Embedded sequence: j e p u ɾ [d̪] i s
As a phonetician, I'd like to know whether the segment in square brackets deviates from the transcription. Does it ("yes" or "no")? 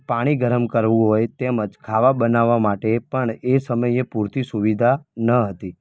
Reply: yes